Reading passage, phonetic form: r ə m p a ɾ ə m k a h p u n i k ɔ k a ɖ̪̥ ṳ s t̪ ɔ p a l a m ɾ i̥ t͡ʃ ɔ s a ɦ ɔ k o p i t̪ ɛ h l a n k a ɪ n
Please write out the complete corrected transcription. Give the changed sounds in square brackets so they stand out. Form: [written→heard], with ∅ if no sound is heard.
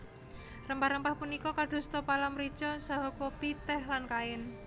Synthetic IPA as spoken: r ə m p a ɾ ə m [k→p] a h p u n i k ɔ k a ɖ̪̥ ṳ s t̪ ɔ p a l a m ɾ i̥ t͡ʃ ɔ s a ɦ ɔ k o p i t̪ ɛ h l a n k a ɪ n